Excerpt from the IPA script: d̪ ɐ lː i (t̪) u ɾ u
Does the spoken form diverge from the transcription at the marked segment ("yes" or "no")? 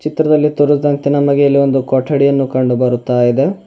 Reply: no